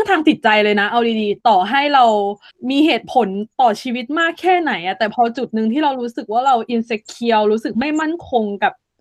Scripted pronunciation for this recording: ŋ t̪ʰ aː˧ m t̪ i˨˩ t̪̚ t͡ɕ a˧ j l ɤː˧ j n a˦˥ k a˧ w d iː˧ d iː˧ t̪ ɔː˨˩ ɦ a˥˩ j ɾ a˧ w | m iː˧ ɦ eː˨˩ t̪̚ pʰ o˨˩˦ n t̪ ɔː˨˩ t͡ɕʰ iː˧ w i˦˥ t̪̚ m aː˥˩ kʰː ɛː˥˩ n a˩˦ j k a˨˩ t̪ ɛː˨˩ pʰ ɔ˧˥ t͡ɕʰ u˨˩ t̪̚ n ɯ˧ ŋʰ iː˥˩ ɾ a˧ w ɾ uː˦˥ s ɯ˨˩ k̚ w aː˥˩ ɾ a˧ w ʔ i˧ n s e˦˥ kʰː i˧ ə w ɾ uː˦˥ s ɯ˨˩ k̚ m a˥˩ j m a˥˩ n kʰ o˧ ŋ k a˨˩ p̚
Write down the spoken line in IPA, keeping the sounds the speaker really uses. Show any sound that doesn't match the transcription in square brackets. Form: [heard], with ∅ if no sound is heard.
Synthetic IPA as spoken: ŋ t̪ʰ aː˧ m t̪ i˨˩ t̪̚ t͡ɕ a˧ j l ɤː˧ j n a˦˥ [ʔ] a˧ w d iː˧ d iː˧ t̪ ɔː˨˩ ɦ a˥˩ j ɾ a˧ w | m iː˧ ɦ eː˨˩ t̪̚ pʰ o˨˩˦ n t̪ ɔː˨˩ t͡ɕʰ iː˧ w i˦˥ t̪̚ m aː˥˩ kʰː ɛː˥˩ n a˩˦ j [ʔ] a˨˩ t̪ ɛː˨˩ pʰ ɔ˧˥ [t͡ɕ] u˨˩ t̪̚ n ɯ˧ ŋʰ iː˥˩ ɾ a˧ w ɾ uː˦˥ s ɯ˨˩ k̚ w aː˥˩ ɾ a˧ w ʔ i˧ n s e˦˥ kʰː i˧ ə w ɾ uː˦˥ s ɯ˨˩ k̚ m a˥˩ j m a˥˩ n kʰ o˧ ŋ k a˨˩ p̚